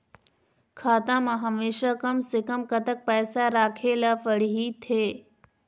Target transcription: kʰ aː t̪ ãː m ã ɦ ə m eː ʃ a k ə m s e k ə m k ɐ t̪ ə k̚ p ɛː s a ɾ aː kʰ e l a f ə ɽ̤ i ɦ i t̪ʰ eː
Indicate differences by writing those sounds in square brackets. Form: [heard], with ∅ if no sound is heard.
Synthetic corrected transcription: kʰ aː t̪ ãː m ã ɦ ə m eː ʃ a k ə m s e k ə m k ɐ t̪ ə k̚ p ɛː s a ɾ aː kʰ e l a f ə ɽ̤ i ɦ i t̪ʰ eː